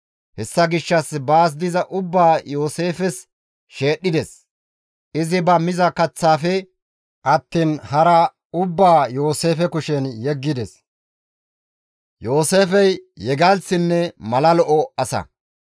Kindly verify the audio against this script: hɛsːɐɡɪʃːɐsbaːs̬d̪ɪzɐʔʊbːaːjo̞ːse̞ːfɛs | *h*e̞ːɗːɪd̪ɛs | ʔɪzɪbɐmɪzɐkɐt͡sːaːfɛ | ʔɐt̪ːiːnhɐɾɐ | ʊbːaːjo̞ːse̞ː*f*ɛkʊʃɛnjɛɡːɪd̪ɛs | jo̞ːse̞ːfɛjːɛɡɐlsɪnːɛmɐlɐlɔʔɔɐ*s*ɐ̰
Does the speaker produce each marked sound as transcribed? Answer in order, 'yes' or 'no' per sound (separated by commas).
no, yes, yes